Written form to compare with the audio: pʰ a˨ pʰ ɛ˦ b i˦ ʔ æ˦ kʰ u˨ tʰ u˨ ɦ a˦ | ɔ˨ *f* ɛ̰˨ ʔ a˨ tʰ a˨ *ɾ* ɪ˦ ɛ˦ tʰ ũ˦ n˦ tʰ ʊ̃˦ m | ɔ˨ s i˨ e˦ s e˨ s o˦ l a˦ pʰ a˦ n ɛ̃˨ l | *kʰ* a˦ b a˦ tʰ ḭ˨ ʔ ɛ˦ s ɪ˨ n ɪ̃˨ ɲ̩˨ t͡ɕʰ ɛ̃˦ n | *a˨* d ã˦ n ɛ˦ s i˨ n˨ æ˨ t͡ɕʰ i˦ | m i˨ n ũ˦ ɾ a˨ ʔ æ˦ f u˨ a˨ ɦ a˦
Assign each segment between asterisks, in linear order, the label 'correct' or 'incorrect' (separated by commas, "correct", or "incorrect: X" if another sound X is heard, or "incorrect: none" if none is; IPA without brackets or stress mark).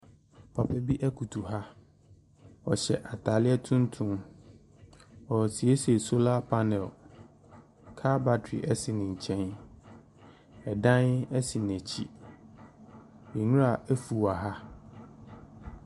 incorrect: ɕ, incorrect: l, correct, incorrect: ɛ˨